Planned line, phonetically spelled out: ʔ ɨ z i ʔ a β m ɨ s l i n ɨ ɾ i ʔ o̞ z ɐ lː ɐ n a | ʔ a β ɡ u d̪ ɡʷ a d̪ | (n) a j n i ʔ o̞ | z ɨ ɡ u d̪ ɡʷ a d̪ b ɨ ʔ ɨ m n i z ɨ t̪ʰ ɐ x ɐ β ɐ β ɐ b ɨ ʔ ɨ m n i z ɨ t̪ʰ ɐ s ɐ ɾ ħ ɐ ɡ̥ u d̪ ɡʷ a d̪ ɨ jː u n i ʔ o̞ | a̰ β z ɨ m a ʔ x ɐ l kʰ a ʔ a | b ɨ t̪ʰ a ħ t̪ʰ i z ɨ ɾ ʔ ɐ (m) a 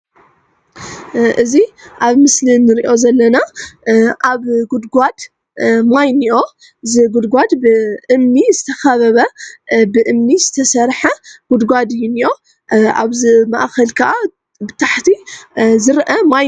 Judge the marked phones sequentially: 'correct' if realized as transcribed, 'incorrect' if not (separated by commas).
incorrect, correct